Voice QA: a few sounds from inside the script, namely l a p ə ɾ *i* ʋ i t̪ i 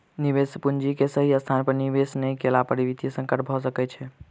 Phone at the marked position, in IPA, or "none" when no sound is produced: i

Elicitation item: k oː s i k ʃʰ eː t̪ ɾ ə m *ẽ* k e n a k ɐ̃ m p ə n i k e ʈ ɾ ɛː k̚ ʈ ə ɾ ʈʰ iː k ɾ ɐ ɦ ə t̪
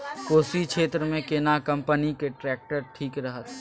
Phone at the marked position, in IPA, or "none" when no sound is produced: ẽ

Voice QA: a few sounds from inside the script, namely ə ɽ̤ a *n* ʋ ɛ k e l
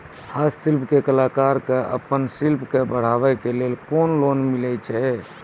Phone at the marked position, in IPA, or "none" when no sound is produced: none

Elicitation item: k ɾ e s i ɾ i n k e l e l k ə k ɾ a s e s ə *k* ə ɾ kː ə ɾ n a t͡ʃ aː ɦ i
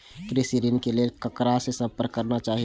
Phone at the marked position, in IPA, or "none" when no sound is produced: p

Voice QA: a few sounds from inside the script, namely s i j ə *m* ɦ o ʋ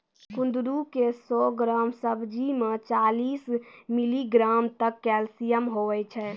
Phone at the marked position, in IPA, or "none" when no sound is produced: m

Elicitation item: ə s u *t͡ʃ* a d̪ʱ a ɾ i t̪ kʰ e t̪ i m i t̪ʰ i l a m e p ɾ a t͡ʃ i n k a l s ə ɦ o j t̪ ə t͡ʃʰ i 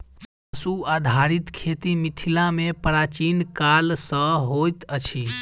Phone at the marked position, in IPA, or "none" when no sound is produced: none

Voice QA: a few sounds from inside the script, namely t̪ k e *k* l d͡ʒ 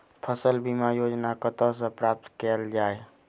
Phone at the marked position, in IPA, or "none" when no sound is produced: none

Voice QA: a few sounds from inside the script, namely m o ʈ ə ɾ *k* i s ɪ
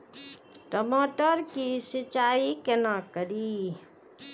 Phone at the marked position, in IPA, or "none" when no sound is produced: k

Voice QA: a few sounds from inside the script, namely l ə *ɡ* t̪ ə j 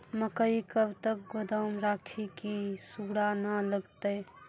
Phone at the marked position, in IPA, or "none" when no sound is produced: ɡ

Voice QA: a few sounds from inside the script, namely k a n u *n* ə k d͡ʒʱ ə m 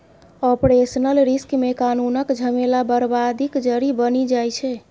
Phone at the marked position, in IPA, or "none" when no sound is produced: n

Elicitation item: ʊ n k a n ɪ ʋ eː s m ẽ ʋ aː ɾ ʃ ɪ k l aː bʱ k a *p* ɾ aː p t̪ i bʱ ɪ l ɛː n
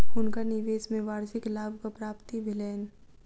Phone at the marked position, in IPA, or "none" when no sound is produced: p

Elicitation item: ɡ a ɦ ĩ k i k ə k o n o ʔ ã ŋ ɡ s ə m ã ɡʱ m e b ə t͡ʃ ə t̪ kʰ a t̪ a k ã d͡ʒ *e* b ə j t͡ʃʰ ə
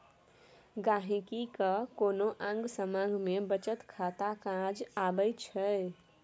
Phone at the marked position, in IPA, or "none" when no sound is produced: a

